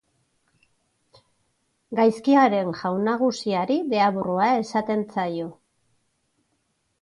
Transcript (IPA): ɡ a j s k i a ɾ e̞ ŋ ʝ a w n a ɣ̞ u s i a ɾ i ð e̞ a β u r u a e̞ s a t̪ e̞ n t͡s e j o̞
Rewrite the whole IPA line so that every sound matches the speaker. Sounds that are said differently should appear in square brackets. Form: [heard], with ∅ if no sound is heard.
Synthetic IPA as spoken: ɡ a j s k i a ɾ e̞ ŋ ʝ a w n a ɣ̞ u s i a ɾ i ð e̞ a β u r u a e̞ s a t̪ e̞ n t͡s [a] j o̞

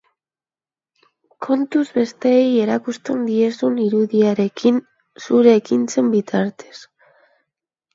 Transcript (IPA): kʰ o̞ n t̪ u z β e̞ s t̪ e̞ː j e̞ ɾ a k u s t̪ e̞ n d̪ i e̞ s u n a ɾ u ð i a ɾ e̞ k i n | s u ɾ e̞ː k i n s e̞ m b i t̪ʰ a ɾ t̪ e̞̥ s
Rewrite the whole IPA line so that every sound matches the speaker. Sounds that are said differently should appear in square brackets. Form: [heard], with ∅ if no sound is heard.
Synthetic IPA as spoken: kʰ o̞ n t̪ u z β e̞ s t̪ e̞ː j e̞ ɾ a k u s t̪ e̞ n d̪ i e̞ s u n [i] ɾ u ð i a ɾ e̞ k i n | s u ɾ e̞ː k i n [t͡s] e̞ m b i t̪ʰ a ɾ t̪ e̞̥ s

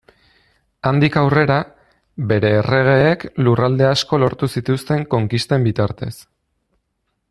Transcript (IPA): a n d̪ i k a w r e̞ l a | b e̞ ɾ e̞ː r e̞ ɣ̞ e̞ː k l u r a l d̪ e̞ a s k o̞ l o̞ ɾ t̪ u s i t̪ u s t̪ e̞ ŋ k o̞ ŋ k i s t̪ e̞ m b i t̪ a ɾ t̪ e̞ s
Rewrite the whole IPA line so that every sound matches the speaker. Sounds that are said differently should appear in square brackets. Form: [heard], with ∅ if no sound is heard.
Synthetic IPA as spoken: a n d̪ i k a w r e̞ [ɾ] a | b e̞ ɾ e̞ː r e̞ ɣ̞ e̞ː k l u r a l d̪ e̞ a s k o̞ l o̞ ɾ t̪ u s i t̪ u s t̪ e̞ ŋ k o̞ ŋ k i s t̪ e̞ m b i t̪ a ɾ t̪ e̞ s

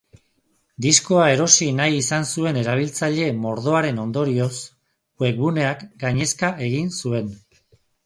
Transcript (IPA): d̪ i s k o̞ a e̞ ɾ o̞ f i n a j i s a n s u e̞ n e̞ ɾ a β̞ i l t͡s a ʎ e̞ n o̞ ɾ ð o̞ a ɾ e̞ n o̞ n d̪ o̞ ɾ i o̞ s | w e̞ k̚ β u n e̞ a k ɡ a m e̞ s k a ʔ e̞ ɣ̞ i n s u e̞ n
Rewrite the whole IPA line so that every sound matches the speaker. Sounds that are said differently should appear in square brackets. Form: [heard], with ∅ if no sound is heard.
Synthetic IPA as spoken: d̪ i s k o̞ a e̞ ɾ o̞ [s] i n a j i s a n s u e̞ n e̞ ɾ a β̞ i l t͡s a ʎ e̞ [m] o̞ ɾ ð o̞ a ɾ e̞ n o̞ n d̪ o̞ ɾ i o̞ s | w e̞ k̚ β u n e̞ a k ɡ a [ɲ] e̞ s k a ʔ e̞ ɣ̞ i n s u e̞ n

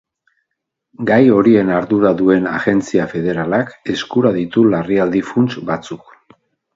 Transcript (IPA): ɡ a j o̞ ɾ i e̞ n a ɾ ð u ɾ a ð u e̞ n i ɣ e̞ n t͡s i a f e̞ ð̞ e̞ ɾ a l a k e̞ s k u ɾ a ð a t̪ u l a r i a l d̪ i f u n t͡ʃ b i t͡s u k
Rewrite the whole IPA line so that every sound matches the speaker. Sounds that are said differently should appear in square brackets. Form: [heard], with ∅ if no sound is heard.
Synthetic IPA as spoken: ɡ a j o̞ ɾ i e̞ n a ɾ ð u ɾ a ð u e̞ n [a] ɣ e̞ n t͡s i a f e̞ ð̞ e̞ ɾ a l a k e̞ s k u ɾ a ð [i] t̪ u l a r i a l d̪ i f u n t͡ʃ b [a] t͡s u k

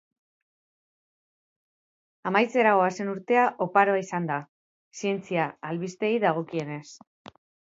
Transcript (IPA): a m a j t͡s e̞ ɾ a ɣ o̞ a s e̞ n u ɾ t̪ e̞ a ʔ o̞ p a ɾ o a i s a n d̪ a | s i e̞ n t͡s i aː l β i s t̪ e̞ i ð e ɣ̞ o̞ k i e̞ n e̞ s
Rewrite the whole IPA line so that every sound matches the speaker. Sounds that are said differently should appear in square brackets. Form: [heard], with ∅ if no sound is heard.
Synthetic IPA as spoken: a m a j t͡s e̞ ɾ a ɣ o̞ a s e̞ n u ɾ t̪ e̞ a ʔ o̞ p a ɾ o a i s a n d̪ a | s i e̞ n t͡s i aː l β i s t̪ e̞ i ð [a] ɣ̞ o̞ k i e̞ n e̞ s

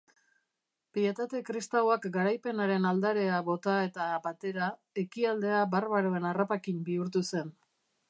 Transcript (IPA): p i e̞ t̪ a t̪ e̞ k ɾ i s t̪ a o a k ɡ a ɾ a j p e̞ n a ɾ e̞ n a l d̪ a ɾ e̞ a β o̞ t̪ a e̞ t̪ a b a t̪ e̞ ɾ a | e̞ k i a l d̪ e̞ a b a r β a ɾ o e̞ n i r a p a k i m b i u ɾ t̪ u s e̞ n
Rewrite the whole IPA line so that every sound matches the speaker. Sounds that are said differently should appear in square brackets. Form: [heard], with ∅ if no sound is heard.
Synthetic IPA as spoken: p i e̞ t̪ a t̪ e̞ k ɾ i s t̪ a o a k ɡ a ɾ a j p e̞ n a ɾ e̞ n a l d̪ a ɾ e̞ a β o̞ t̪ a e̞ t̪ a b a t̪ e̞ ɾ a | e̞ k i a l d̪ e̞ a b a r β a ɾ o e̞ n [a] r a p a k i m b i u ɾ t̪ u s e̞ n

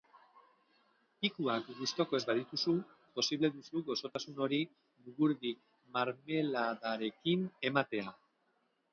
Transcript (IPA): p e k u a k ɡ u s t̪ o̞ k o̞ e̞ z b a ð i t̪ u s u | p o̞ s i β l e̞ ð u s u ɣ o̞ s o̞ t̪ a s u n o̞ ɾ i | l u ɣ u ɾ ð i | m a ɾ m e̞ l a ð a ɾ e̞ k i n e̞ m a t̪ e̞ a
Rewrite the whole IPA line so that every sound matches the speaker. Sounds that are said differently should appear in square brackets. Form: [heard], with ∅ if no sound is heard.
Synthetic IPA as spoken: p [i] k u a k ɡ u s t̪ o̞ k o̞ e̞ z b a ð i t̪ u s u | p o̞ s i β l e̞ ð u s u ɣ o̞ s o̞ t̪ a s u n o̞ ɾ i | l u ɣ u ɾ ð i | m a ɾ m e̞ l a ð a ɾ e̞ k i n e̞ m a t̪ e̞ a

